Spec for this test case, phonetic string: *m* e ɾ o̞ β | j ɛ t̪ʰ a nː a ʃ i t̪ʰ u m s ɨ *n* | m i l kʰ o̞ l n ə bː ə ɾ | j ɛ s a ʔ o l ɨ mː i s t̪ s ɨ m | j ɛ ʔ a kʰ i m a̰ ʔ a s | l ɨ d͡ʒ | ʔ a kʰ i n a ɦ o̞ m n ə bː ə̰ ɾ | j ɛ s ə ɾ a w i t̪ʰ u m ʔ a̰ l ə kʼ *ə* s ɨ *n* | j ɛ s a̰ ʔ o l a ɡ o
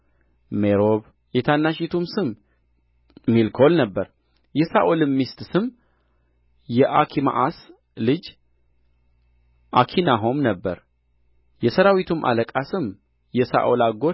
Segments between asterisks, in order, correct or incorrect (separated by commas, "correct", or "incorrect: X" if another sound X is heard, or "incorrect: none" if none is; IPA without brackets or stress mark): correct, incorrect: m, incorrect: a, incorrect: m